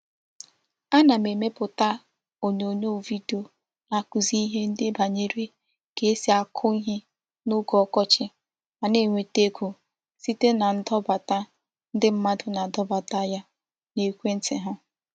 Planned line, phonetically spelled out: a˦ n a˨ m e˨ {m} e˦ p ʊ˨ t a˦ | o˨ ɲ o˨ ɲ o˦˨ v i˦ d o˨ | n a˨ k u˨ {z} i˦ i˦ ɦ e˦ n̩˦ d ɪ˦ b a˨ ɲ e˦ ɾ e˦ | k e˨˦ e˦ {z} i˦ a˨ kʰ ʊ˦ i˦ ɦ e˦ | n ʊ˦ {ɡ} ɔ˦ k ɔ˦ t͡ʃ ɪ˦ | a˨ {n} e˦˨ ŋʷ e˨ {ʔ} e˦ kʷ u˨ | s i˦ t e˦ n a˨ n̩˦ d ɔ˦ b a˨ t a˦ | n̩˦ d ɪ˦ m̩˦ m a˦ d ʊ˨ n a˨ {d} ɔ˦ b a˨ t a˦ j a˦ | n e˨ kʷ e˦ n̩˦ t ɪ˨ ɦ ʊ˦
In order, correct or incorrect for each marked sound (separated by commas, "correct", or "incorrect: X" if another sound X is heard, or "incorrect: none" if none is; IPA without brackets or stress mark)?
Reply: correct, correct, incorrect: s, correct, correct, incorrect: t, correct